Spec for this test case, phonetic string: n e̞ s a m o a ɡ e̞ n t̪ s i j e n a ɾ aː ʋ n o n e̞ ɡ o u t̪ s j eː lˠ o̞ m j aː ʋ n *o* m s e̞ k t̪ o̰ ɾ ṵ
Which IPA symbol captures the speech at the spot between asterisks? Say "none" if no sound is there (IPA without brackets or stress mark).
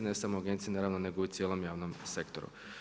o